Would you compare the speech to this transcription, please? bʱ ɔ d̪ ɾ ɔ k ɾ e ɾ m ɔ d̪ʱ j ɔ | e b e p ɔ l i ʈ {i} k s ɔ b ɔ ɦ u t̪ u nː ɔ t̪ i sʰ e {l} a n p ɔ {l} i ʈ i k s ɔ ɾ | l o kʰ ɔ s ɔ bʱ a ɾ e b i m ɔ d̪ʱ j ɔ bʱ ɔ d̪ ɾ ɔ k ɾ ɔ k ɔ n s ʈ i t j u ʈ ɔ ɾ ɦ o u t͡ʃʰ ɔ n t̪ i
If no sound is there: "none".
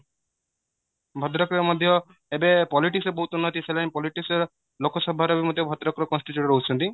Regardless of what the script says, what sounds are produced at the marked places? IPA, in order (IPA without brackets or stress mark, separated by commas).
i, l, l